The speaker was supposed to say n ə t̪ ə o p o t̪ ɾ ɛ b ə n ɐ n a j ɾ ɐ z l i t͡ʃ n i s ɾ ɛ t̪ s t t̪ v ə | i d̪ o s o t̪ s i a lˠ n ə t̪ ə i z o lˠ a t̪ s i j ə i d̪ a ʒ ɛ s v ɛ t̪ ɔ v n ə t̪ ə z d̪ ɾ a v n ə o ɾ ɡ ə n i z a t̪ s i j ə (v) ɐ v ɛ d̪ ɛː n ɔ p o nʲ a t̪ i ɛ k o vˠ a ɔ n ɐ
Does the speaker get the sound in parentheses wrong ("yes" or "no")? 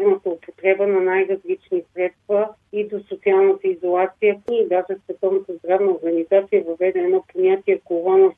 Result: no